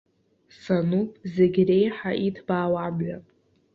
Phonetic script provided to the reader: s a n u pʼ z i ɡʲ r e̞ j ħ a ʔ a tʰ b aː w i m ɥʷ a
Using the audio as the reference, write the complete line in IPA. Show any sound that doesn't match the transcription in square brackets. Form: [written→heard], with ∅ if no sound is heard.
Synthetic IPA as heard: s a n u pʼ z [i→e] ɡʲ r e̞ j ħ a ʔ [a→i] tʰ b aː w [i→a] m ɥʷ a